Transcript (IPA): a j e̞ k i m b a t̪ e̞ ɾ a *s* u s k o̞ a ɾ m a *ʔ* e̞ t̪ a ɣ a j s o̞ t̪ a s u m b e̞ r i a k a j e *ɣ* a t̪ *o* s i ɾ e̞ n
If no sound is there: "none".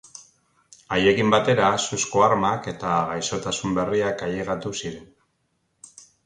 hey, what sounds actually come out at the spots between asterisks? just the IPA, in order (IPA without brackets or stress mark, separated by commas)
s, k, ɣ, u